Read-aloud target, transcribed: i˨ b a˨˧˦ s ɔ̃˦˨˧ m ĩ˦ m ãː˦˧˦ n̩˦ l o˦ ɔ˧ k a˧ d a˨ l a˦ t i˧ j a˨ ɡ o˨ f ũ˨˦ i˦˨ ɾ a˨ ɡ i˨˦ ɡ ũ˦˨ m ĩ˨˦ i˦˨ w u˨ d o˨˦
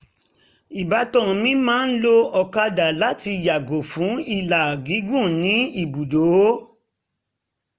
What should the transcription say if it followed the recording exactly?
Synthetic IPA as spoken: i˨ b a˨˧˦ t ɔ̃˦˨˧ m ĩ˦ m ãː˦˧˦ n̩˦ l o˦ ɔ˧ k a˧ d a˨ l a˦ t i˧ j a˨ ɡ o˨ f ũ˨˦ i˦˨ l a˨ ɡ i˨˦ ɡ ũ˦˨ n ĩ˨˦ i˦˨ b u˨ d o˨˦

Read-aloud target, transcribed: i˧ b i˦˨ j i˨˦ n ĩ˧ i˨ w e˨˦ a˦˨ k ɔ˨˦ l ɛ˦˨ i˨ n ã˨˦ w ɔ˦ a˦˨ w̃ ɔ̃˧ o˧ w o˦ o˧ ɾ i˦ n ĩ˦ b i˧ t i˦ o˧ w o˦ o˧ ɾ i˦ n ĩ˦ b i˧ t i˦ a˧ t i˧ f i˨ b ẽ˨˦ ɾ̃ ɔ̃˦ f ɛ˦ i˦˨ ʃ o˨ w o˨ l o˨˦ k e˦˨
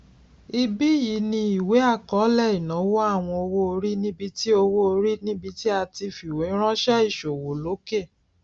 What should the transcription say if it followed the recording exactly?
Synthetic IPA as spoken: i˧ b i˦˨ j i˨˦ n ĩ˧ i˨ w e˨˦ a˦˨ k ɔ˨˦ l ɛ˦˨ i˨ n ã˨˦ w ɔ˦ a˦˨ w̃ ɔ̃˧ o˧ w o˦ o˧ ɾ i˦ n ĩ˦ b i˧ t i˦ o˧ w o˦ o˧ ɾ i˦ n ĩ˦ b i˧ t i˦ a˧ t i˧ f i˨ w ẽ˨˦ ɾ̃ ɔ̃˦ ʃ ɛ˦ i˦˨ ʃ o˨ w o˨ l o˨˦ k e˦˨

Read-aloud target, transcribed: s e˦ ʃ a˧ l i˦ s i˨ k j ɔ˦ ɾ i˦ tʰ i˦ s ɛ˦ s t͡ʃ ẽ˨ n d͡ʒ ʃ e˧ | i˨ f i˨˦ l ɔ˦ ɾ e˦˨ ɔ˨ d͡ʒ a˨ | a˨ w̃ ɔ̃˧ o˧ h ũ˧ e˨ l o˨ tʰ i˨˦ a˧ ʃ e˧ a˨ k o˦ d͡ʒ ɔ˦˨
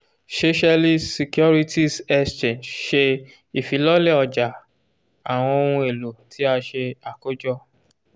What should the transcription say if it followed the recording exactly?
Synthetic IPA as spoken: s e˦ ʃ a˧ l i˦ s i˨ k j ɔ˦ ɾ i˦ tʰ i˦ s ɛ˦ s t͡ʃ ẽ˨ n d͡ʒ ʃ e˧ | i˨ f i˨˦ l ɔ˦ l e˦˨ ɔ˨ d͡ʒ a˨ | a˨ w̃ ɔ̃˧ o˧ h ũ˧ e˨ l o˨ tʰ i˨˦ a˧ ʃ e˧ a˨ k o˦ d͡ʒ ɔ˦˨

